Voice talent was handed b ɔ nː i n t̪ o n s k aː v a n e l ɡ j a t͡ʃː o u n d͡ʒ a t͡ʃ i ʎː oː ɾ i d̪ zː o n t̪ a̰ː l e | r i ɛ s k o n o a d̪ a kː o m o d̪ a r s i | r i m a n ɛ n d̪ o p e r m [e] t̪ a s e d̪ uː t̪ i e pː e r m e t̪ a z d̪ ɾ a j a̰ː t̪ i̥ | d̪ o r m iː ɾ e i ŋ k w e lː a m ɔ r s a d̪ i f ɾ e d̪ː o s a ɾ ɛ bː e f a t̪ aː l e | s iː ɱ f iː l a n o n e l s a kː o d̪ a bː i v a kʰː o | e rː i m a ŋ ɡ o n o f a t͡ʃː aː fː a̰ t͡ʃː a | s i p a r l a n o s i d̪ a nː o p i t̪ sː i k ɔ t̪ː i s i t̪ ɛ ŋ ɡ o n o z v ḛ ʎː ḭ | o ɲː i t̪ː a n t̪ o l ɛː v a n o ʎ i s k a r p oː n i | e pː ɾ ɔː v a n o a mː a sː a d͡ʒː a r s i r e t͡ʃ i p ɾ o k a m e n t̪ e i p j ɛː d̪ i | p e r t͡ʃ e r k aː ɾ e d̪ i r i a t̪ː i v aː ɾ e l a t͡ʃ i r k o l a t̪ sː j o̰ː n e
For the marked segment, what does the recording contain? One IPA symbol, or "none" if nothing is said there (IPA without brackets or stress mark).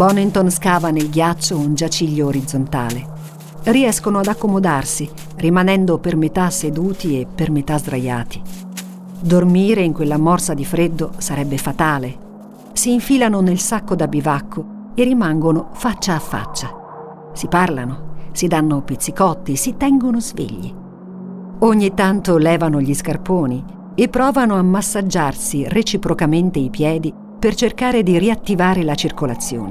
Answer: e